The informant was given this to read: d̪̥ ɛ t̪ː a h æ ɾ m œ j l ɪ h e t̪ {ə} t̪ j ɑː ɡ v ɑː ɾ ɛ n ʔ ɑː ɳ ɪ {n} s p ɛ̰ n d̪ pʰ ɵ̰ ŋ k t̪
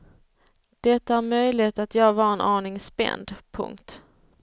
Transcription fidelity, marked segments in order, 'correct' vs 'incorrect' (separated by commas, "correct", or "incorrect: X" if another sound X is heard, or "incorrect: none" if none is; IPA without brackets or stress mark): incorrect: a, incorrect: ŋ